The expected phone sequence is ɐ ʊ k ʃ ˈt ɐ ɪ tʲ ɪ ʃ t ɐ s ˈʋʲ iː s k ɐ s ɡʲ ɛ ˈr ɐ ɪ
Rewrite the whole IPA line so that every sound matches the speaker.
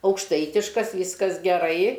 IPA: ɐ ʊ k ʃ ˈt ɐ ɪ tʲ ɪ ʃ k ɐ s ˈʋʲ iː s k ɐ s ɡʲ ɛ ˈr ɐ ɪ